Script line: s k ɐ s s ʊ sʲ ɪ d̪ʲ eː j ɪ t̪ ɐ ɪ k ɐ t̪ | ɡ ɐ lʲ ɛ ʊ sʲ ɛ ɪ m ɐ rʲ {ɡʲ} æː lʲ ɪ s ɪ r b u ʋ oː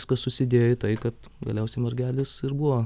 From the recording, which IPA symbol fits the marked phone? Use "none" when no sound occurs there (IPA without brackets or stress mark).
ɡʲ